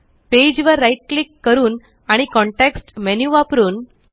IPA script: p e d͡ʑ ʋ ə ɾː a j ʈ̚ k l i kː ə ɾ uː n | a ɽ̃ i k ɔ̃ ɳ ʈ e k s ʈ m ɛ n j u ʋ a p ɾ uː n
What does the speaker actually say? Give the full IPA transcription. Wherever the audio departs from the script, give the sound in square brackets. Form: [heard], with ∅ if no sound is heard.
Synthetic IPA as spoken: p e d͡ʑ ʋ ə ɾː a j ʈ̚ k l i kː ə ɾ uː n | a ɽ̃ i k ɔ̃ ɳ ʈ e k s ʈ m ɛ n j u ʋ a p ɾ uː n